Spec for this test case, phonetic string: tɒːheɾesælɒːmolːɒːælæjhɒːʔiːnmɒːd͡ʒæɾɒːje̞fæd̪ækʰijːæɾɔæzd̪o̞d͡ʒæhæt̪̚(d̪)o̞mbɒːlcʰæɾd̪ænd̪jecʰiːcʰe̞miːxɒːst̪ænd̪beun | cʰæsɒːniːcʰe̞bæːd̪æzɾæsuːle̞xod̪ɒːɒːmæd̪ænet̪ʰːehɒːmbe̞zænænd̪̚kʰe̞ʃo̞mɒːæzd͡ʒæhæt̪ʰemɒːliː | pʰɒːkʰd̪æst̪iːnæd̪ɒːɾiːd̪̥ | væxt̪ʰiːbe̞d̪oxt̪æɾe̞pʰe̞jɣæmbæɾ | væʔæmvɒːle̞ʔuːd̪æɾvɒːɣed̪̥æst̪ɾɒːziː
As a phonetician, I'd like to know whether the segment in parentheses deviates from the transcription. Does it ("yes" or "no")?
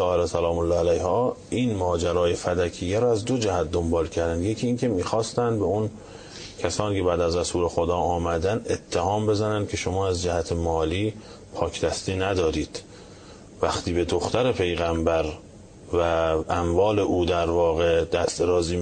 no